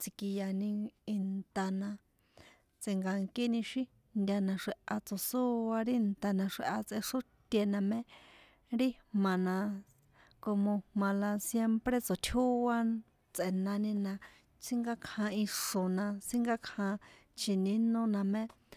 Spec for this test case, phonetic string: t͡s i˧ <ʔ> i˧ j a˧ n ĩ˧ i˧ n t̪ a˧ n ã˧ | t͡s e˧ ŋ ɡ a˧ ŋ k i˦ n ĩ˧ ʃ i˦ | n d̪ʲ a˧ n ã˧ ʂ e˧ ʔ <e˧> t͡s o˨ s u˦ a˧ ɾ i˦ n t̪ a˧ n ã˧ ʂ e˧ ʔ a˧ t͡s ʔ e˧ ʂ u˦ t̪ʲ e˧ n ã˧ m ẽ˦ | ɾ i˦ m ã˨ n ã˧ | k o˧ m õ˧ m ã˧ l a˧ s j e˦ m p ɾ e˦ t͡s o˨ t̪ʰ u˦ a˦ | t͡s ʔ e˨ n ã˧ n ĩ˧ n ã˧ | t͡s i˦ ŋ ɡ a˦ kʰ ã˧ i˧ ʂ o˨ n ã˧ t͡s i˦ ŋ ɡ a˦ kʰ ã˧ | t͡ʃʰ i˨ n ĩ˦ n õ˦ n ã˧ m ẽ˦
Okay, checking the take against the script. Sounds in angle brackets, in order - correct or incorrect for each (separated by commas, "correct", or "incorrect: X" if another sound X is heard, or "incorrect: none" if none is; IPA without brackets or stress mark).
incorrect: k, incorrect: a˧